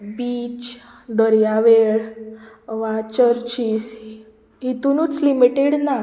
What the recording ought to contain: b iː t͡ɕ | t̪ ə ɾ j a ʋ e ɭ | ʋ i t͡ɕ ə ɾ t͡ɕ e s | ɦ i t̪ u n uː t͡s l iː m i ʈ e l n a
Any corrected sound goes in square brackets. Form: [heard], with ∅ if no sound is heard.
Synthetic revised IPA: b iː t͡ɕ | [d̪] ə ɾ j a ʋ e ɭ | ʋ [a] t͡ɕ ə ɾ t͡ɕ [i] s | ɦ i t̪ u n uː t͡s l [i] m i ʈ e [ɽ] n a